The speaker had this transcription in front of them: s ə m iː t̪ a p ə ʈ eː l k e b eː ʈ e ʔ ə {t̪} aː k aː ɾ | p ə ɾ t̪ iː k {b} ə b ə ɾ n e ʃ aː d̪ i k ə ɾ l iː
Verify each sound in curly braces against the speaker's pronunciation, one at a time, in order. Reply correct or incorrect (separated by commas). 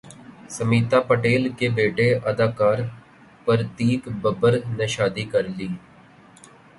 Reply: incorrect, correct